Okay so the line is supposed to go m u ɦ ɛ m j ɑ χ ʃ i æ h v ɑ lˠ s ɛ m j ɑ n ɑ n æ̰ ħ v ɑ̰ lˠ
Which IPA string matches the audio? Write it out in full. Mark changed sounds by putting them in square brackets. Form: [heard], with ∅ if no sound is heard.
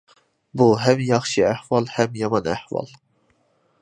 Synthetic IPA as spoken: [b] u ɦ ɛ m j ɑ χ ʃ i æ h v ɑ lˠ [h] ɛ m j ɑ [m] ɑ n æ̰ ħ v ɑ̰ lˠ